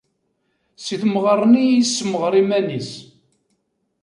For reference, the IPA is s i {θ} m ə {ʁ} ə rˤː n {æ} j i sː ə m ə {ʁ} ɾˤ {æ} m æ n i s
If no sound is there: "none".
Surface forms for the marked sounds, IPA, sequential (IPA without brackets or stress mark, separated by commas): θ, ʁ, i, ʁ, i